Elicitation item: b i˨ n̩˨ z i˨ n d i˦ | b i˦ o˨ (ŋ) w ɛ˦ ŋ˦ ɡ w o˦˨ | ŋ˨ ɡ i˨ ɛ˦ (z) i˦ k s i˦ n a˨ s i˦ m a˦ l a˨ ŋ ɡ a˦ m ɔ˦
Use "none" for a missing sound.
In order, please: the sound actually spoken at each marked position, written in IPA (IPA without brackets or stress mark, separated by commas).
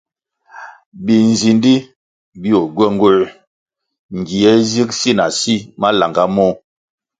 ɡ, z